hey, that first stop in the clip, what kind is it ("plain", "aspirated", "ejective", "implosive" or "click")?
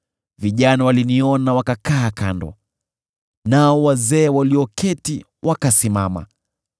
implosive